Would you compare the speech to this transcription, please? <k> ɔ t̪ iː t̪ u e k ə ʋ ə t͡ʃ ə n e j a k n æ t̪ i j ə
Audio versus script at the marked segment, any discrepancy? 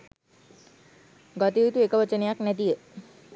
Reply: yes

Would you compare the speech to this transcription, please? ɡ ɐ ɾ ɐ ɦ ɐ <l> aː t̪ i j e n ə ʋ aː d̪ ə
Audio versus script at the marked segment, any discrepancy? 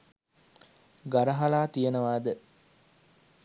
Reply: no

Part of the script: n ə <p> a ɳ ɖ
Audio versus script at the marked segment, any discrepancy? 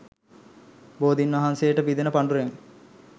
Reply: no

